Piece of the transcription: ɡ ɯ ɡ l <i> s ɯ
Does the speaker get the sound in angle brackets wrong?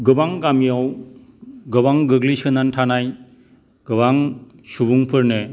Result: no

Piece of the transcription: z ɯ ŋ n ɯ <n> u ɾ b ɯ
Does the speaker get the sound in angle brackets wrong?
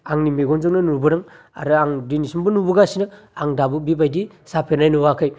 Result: no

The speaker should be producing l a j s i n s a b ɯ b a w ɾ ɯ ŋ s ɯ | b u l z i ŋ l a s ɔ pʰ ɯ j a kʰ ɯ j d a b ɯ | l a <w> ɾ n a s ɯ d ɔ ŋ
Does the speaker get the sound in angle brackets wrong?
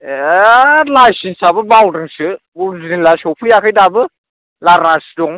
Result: yes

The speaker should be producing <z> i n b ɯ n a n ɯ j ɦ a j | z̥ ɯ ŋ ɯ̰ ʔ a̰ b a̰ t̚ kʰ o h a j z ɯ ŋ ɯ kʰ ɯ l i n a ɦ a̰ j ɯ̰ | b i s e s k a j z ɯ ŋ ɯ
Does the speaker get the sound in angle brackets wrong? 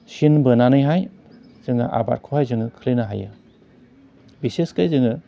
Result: yes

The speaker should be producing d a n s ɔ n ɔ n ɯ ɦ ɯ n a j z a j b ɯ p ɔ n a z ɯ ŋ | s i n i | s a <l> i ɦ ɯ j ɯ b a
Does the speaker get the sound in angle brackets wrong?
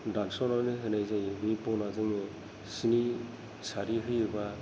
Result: yes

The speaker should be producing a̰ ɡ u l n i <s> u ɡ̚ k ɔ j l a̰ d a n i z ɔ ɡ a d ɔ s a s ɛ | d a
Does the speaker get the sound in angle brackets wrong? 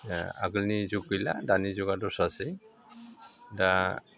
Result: yes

